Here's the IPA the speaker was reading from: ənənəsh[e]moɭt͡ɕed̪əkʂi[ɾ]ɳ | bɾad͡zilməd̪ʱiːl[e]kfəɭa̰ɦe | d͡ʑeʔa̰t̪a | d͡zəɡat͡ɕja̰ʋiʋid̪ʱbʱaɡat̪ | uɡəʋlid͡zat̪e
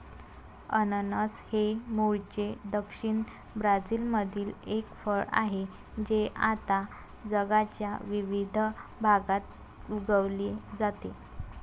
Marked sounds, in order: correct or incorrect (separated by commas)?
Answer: correct, incorrect, correct